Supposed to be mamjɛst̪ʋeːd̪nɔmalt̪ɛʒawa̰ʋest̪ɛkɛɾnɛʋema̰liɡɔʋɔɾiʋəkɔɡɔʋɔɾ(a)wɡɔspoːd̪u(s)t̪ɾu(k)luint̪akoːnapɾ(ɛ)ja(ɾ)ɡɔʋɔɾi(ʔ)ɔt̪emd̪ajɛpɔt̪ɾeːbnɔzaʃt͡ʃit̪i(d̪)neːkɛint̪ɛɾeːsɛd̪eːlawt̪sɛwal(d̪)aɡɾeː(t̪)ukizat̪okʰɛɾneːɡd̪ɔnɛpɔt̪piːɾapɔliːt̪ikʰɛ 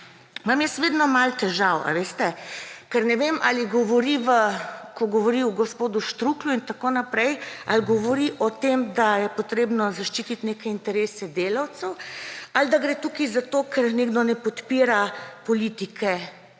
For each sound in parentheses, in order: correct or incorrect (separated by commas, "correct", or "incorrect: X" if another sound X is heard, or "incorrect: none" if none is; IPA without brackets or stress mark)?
incorrect: i, incorrect: ʃ, correct, correct, incorrect: l, correct, incorrect: t̪, correct, correct